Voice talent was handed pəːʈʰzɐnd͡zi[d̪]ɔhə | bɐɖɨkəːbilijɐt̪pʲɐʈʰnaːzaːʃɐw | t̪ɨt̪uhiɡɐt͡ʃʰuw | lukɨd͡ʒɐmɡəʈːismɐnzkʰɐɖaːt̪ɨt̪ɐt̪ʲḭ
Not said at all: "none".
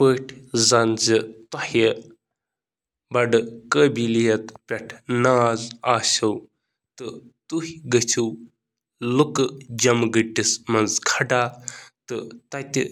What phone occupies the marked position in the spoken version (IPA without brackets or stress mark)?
t̪